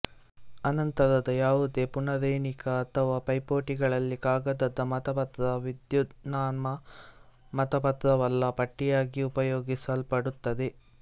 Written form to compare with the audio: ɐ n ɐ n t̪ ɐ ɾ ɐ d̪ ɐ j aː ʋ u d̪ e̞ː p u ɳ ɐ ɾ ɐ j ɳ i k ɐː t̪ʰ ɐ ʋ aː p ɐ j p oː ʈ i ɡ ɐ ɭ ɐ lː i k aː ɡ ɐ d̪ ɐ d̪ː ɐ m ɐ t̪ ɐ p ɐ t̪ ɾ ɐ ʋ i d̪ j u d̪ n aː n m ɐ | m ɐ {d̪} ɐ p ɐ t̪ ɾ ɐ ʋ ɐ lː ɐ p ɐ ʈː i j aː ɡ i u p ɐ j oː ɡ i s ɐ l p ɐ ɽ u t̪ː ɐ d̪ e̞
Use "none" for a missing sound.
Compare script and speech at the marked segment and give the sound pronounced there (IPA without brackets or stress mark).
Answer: t̪